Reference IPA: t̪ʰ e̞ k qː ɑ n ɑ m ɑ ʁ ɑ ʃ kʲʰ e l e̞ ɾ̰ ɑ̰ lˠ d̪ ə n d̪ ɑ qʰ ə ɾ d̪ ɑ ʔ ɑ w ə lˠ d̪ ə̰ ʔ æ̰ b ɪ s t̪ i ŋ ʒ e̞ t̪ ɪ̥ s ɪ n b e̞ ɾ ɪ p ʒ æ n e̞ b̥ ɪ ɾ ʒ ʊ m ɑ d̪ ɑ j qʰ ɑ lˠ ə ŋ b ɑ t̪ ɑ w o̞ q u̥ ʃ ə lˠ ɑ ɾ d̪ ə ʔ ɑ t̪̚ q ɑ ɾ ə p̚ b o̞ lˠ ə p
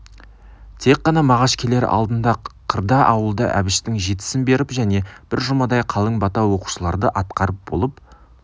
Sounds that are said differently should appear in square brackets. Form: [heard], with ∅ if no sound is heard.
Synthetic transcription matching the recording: t̪ʰ e̞ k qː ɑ n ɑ m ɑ ʁ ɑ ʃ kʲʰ e l e̞ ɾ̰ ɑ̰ lˠ d̪ ə n d̪ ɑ qʰ ə ɾ d̪ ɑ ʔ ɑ w ə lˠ d̪ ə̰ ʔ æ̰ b ɪ [ʃ] t̪ [ɪ] ŋ ʒ e̞ t̪ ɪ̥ s ɪ n b e̞ ɾ ɪ p ʒ æ n e̞ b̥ ɪ ɾ ʒ ʊ m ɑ d̪ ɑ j qʰ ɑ lˠ ə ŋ b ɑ t̪ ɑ w o̞ q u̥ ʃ ə lˠ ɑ ɾ d̪ ə ʔ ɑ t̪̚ q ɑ ɾ ə p̚ b o̞ lˠ ə p